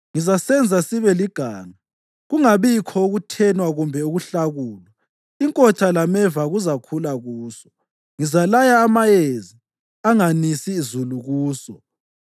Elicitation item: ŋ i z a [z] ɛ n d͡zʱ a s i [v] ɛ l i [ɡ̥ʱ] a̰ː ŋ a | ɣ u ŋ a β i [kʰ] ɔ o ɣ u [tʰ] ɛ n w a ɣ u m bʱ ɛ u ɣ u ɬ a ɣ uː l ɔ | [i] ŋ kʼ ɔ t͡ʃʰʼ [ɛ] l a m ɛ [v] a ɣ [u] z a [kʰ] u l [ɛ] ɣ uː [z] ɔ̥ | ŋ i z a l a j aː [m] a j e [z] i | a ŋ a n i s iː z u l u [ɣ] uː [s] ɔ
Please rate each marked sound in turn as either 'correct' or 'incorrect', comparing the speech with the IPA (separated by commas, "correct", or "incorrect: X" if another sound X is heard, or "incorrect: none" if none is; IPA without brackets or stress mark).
incorrect: s, incorrect: β, correct, correct, correct, correct, incorrect: a, correct, correct, correct, incorrect: a, incorrect: s, correct, correct, correct, correct